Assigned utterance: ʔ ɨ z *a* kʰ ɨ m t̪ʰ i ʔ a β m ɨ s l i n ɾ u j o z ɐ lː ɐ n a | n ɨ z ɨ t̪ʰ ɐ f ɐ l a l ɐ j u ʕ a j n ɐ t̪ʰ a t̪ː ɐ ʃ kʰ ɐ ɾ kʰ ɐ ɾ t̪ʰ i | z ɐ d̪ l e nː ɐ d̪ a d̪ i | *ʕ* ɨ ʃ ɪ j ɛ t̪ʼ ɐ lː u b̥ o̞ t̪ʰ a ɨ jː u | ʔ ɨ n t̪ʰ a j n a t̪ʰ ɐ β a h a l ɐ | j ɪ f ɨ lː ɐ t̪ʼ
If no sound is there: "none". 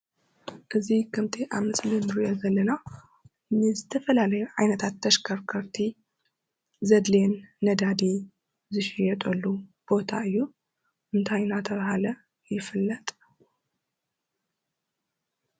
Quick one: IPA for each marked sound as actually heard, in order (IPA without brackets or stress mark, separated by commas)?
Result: i, z